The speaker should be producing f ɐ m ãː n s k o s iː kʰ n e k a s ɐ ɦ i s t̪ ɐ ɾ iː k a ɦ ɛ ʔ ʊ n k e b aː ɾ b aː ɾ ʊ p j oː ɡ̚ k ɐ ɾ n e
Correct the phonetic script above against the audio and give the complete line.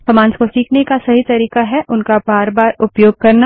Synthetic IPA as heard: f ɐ m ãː n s k o s iː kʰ n e k a s ɐ ɦ i t̪ ɐ ɾ iː k a ɦ ɛ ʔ ʊ n k a b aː ɾ b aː ɾ ʊ p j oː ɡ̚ k ɐ ɾ n a